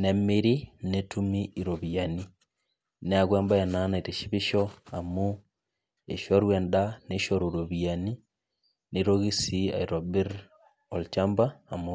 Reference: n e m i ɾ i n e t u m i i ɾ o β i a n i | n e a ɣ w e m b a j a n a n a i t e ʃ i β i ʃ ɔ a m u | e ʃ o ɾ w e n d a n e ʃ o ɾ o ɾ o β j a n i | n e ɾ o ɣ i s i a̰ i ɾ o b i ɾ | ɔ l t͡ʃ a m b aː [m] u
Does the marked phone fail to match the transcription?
no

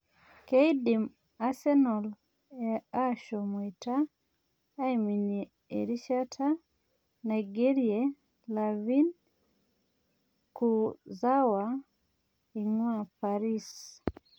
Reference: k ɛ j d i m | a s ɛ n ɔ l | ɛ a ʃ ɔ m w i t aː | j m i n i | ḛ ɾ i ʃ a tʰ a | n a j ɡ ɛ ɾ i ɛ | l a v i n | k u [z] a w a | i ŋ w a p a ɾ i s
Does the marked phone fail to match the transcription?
no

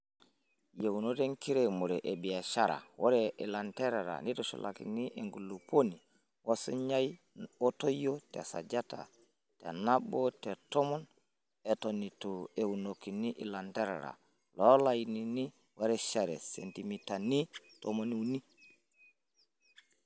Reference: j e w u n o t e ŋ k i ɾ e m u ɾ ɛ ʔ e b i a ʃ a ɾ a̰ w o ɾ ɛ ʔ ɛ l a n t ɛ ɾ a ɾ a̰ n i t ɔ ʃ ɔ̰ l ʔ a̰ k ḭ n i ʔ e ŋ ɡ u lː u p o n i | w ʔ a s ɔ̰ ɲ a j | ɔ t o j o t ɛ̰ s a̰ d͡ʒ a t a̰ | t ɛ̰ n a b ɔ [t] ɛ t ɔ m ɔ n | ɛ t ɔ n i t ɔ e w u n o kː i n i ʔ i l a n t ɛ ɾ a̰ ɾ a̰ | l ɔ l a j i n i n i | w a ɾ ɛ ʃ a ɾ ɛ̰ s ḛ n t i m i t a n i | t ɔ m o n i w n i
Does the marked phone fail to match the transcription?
no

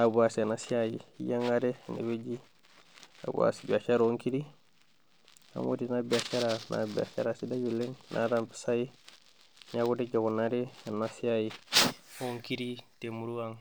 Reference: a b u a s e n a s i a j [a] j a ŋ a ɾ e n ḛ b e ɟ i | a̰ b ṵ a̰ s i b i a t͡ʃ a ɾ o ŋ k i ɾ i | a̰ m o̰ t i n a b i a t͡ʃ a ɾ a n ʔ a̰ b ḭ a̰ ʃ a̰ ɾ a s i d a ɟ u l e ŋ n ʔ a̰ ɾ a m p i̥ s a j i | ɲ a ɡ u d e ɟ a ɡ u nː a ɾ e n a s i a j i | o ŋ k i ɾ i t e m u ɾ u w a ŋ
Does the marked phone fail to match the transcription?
yes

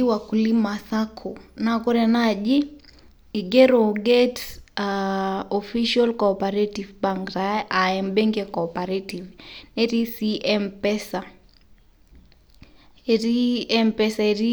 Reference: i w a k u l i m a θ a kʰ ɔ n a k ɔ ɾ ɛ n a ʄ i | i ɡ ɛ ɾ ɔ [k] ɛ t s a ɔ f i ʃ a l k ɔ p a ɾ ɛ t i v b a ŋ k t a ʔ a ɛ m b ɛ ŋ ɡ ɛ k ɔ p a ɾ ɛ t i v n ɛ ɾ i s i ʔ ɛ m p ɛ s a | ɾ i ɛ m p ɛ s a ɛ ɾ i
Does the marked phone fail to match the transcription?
yes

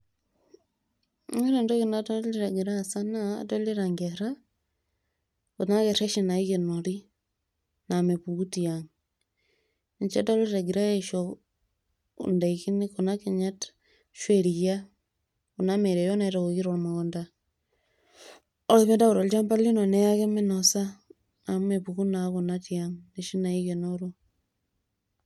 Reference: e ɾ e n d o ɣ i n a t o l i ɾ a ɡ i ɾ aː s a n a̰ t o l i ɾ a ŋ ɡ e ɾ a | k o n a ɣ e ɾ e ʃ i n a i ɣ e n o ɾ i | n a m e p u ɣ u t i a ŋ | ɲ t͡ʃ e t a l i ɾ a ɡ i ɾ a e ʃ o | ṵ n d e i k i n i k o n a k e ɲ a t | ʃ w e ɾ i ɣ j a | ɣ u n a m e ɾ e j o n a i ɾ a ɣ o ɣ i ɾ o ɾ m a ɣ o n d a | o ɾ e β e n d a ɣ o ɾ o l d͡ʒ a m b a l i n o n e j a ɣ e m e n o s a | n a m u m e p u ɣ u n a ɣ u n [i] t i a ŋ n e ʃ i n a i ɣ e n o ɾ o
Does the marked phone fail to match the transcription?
yes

